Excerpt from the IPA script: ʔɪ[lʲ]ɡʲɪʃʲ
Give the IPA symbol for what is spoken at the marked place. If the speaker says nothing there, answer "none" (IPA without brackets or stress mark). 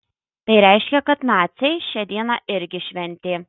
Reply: ɾʲ